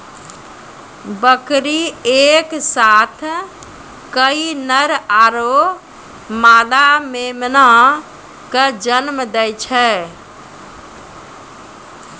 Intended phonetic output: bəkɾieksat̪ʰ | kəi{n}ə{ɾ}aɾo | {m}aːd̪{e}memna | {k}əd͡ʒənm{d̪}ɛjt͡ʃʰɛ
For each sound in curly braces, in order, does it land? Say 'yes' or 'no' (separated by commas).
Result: yes, yes, yes, no, yes, yes